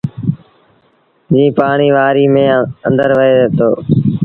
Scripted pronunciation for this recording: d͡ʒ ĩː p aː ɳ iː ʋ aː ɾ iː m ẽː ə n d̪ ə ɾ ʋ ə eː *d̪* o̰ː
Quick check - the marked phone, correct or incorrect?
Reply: incorrect